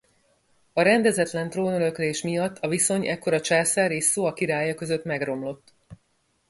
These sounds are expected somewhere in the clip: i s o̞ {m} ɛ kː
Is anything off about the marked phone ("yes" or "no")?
yes